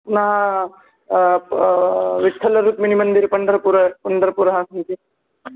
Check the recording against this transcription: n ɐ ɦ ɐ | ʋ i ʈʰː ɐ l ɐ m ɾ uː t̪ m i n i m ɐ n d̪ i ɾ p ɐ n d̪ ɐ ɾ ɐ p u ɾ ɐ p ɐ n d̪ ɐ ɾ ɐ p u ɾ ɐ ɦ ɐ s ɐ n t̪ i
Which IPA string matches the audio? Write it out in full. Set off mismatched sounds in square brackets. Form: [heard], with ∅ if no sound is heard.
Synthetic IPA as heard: n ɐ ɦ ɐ | ʋ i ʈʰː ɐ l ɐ [∅] ɾ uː t̪ m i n i m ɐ n d̪ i ɾ p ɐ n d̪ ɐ ɾ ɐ p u ɾ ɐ p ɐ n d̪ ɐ ɾ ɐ p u ɾ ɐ ɦ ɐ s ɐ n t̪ i